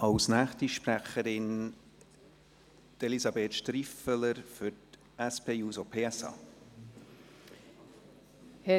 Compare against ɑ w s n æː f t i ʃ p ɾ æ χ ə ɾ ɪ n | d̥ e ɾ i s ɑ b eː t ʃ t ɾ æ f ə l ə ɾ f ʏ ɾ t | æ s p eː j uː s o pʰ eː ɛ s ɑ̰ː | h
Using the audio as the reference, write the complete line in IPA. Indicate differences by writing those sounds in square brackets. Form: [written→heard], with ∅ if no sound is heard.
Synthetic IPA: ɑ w s n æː [f→χ] t i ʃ p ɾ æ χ ə ɾ ɪ n | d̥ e [ɾ→l] i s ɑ b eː t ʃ t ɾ [æ→i] f ə l ə ɾ f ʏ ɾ t | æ s p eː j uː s o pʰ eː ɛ s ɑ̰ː | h